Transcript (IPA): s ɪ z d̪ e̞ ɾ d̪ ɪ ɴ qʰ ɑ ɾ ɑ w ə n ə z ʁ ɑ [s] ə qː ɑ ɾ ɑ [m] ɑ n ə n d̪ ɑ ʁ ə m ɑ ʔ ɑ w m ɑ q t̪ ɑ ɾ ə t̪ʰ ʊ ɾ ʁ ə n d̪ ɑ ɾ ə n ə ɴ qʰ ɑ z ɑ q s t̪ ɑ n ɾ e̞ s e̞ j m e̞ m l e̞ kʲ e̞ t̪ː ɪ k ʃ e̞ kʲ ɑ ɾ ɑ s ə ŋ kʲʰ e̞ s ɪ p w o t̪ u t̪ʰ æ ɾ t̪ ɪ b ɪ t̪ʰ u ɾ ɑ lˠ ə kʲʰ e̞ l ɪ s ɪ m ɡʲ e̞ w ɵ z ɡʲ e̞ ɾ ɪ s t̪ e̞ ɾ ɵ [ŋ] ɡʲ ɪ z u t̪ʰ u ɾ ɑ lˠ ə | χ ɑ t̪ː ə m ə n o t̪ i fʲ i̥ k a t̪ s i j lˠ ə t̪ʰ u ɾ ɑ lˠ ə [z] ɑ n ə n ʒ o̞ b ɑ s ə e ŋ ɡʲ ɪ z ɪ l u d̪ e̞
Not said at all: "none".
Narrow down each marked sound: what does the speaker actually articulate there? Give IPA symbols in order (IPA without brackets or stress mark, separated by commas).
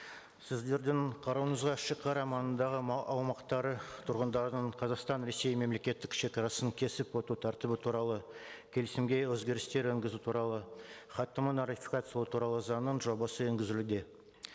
ʃ, m, ŋ, z